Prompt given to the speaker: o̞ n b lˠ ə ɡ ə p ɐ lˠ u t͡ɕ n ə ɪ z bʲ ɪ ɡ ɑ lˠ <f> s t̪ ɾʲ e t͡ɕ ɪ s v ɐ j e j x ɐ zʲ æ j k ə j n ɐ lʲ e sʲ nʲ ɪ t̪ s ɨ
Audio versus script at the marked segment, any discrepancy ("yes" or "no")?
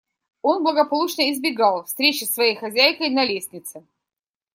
no